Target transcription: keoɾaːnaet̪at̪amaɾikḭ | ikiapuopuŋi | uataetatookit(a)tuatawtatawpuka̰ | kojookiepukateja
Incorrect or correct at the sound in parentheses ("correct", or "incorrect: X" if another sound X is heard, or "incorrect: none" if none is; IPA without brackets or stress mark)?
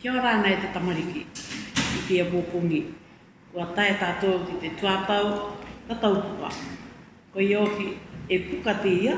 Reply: incorrect: e